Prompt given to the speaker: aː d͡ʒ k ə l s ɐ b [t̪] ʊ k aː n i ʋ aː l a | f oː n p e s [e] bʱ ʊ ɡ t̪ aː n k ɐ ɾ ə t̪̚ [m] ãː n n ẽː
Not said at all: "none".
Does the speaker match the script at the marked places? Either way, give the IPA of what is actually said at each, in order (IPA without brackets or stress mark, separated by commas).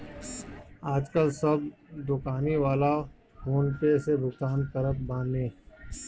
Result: d̪, e, b